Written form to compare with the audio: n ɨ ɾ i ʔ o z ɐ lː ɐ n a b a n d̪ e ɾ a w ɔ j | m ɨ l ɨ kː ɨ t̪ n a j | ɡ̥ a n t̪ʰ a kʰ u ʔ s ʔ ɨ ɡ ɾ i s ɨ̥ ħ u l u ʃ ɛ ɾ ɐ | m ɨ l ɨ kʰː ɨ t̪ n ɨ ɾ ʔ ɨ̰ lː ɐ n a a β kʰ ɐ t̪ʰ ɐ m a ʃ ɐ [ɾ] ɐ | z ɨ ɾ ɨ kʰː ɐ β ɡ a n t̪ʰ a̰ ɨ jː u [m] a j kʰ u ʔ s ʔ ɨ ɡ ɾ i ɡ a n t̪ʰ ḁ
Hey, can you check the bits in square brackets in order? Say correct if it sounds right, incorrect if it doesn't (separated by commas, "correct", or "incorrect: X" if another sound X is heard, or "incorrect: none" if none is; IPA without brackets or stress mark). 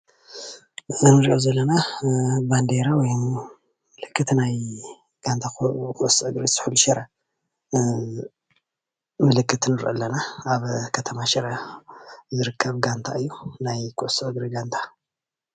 correct, incorrect: n